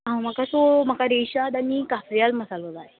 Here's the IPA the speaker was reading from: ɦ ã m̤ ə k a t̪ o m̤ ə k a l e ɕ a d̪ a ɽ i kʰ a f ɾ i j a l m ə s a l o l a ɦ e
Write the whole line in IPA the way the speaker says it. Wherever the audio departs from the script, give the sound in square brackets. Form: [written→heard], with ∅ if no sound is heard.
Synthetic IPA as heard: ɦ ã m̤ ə k a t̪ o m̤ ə k a [l→ɾ] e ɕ a d̪ a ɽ i [kʰ→k] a f ɾ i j a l m ə s a l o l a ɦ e